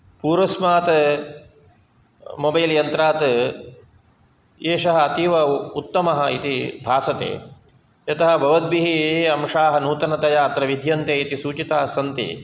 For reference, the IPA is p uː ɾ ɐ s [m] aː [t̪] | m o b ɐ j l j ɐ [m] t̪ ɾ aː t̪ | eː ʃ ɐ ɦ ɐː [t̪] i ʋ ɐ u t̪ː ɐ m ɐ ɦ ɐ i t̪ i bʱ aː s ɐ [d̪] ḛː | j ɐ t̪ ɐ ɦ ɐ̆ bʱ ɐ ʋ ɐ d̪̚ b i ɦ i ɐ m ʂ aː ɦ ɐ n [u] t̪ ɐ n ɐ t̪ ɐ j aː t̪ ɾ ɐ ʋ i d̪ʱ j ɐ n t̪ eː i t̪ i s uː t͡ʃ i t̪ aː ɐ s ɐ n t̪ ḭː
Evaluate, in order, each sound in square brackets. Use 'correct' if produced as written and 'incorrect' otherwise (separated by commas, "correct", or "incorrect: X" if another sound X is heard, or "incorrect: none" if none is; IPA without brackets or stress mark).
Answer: correct, correct, incorrect: n, correct, incorrect: t̪, incorrect: uː